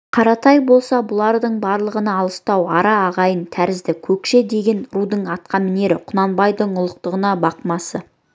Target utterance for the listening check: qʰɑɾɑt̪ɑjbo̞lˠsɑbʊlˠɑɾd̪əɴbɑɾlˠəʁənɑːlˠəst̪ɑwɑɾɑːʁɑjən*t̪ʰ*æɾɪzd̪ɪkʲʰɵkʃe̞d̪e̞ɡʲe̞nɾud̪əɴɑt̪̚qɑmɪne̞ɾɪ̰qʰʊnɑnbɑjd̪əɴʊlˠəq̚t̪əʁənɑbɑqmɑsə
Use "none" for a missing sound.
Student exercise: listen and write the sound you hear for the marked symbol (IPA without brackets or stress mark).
t̪ʰ